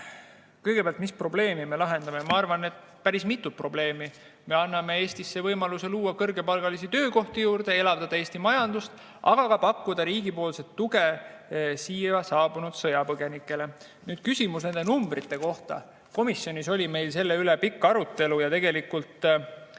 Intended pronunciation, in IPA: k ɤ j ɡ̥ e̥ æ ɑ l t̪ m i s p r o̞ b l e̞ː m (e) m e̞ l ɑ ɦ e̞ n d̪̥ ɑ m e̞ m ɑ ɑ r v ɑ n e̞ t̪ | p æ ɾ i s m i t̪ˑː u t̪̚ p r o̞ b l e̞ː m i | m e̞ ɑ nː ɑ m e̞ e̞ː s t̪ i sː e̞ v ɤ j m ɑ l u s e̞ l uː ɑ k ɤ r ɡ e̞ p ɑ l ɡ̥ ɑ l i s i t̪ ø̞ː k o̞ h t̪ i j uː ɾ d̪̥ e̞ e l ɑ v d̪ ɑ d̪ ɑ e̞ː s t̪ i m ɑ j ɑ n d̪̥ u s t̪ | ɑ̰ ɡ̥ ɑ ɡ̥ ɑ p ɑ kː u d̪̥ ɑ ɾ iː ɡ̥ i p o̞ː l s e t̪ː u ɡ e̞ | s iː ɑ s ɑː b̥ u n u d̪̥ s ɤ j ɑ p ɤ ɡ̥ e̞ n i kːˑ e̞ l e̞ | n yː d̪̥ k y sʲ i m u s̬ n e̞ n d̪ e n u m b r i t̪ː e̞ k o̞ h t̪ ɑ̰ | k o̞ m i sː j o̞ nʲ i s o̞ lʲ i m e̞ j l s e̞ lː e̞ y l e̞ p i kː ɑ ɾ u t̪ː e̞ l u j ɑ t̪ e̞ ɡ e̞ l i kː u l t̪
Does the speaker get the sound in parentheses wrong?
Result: yes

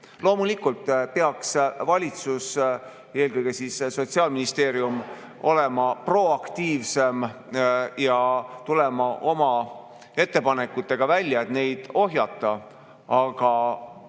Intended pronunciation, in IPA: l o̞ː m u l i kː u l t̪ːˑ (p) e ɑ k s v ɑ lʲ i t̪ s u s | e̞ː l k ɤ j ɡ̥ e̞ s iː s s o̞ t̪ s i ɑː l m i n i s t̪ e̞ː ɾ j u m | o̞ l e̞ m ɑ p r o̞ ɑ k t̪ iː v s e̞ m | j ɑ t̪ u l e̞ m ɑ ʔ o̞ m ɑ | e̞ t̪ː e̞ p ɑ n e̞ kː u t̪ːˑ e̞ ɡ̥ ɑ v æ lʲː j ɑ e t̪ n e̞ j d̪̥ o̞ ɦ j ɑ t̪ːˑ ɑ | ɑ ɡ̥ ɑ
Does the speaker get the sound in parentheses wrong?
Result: no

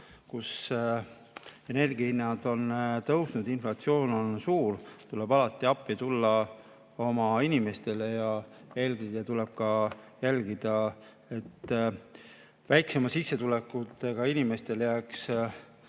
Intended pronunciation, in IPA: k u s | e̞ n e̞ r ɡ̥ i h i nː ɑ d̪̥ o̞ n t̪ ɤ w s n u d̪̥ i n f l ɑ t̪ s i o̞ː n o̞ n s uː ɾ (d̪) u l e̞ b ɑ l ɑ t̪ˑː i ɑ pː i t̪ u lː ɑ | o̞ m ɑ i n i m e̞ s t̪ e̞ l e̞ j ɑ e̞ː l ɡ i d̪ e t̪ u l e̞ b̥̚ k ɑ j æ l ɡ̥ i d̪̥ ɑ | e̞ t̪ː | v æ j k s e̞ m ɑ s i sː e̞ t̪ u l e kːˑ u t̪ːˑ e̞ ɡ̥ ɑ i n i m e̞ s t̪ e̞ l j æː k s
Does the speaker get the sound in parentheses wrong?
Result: yes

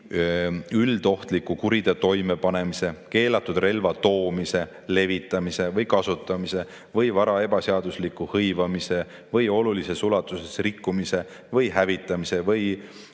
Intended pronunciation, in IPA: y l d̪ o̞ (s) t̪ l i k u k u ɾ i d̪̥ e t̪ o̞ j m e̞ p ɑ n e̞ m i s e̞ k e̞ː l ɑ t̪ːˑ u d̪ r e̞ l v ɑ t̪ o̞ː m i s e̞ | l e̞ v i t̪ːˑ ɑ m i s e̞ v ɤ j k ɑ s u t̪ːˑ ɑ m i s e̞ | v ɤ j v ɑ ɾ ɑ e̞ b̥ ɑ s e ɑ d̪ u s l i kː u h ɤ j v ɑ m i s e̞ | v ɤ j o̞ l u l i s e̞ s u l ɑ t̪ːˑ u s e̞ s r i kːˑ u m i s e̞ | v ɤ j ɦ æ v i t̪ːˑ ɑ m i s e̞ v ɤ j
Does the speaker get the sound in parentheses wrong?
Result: yes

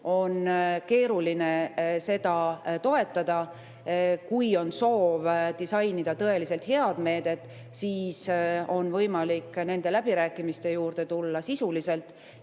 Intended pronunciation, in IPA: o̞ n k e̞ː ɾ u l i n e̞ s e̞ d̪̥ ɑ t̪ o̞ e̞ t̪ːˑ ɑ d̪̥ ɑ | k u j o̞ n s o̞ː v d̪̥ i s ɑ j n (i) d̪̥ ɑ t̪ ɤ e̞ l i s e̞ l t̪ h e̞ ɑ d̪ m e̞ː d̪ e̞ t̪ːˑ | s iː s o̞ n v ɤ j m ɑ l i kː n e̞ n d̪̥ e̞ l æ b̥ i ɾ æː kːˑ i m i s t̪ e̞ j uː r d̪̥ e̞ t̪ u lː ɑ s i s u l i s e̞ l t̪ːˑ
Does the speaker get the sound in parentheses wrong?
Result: no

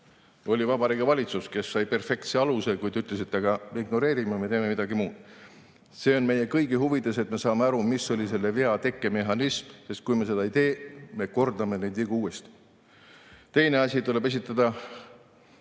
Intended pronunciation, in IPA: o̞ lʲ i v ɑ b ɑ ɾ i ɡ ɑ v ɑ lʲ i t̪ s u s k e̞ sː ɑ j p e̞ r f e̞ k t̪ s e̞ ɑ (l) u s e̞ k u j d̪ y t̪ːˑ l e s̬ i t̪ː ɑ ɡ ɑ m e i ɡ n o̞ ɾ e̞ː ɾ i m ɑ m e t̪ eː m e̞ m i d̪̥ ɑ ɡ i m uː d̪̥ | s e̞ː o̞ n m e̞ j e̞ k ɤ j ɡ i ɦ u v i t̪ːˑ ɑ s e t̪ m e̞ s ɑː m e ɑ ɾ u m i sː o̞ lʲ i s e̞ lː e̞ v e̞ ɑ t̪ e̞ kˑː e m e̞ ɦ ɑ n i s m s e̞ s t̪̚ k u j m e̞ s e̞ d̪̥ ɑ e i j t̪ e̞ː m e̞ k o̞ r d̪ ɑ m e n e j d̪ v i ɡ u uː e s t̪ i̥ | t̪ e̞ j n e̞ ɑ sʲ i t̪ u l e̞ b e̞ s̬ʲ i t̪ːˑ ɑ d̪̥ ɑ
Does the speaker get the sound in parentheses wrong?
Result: no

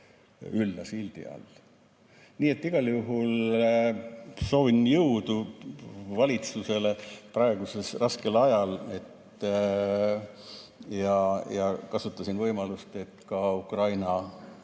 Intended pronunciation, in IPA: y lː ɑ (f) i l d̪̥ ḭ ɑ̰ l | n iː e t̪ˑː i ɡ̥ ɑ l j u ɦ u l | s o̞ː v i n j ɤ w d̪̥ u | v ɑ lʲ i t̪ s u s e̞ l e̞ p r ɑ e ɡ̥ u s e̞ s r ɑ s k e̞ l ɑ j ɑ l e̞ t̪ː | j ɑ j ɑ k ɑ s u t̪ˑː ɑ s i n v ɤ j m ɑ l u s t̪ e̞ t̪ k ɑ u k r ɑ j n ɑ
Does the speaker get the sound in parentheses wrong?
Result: yes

